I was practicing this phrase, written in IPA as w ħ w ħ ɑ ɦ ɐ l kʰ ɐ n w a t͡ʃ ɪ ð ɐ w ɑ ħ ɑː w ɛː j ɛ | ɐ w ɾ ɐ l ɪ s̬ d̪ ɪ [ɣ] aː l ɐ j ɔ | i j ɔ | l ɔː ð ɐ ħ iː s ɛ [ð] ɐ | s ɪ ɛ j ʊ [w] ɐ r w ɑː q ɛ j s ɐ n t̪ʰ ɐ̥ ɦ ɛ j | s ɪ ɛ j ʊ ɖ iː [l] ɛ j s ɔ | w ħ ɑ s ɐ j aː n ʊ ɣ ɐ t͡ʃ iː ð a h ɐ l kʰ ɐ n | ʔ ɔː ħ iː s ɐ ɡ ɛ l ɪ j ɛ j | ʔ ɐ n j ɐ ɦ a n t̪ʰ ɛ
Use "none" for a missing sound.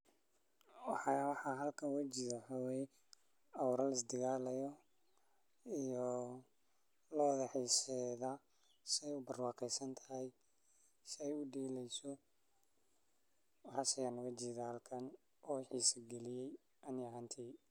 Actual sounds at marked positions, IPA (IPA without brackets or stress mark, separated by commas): ɣ, ð, b, l